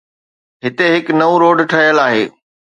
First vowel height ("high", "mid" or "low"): high